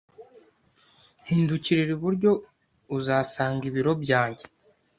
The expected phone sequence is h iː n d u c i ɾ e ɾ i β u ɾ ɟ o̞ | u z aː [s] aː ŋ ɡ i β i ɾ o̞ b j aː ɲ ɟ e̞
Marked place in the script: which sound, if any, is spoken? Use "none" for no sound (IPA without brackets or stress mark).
s